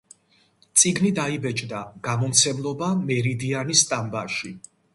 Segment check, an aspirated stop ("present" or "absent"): absent